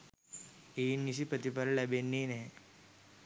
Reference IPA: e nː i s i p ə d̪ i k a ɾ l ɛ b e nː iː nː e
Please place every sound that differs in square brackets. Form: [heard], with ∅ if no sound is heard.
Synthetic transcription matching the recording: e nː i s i p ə [t̪] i [p] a ɾ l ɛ b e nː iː [n] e